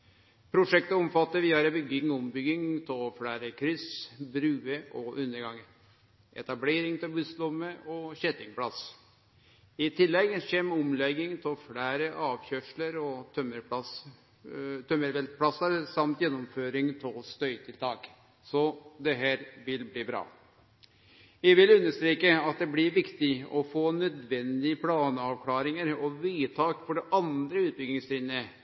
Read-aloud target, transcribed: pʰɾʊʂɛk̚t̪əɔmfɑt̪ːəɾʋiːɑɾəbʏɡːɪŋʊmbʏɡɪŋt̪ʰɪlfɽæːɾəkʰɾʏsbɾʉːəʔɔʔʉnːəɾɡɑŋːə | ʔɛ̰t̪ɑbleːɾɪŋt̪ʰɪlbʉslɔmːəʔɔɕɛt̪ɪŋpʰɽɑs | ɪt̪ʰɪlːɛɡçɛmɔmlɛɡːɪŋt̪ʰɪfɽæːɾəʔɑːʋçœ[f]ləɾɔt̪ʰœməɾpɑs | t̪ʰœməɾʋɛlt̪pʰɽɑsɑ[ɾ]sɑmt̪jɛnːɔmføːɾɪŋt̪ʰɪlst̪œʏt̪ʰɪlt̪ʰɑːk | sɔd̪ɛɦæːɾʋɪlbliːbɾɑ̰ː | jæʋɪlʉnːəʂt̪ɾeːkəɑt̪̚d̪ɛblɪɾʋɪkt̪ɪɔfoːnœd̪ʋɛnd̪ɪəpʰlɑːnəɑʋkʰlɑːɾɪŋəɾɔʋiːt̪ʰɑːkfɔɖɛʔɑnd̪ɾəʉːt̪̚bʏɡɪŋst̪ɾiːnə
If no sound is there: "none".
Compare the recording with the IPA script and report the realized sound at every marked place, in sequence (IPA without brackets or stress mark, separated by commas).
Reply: ʂ, ɾ